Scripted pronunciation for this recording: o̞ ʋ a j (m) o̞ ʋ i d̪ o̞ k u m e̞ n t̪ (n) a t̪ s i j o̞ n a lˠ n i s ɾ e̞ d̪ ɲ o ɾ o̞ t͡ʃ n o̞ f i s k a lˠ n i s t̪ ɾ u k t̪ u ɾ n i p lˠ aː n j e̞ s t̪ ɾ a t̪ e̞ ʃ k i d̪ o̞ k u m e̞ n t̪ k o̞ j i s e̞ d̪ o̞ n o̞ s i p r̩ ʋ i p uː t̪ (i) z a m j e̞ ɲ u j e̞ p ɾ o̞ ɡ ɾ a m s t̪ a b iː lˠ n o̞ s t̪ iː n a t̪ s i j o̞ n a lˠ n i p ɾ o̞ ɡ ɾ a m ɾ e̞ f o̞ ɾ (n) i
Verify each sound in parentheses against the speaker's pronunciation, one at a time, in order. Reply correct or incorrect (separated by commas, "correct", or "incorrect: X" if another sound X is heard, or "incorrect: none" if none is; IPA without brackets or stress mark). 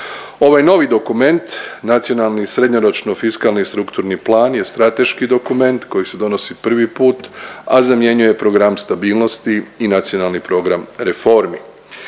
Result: incorrect: n, correct, incorrect: a, incorrect: m